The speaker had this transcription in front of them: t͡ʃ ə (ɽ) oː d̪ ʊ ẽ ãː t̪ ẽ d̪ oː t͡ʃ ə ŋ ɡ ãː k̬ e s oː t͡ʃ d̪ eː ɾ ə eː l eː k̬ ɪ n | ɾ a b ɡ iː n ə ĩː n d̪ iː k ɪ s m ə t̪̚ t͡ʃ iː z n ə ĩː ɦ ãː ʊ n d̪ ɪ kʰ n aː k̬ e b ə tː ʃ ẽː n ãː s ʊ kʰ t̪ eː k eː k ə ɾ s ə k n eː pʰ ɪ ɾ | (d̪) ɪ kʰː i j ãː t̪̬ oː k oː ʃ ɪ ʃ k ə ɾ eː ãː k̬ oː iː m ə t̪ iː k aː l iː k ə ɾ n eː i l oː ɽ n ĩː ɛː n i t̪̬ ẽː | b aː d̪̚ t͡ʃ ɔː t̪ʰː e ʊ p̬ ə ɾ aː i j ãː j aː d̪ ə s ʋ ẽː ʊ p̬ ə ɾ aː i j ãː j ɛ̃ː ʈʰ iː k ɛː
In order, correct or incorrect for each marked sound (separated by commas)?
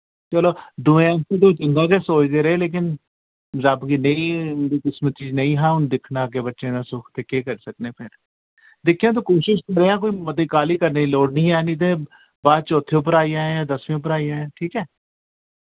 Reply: incorrect, correct